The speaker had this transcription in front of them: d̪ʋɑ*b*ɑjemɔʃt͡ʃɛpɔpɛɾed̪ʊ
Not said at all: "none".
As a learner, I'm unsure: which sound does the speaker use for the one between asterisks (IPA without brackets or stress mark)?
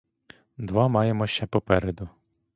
m